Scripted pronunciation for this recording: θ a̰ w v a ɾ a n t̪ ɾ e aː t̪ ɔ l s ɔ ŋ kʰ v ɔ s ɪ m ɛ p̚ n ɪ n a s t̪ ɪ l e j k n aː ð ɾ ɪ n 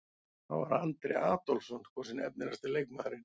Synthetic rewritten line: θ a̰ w v a ɾ a n t̪ ɾ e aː t̪ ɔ l s ɔ n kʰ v ɔ s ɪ n ɛ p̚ n ɪ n a s t̪ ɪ l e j k m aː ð ɾ ɪ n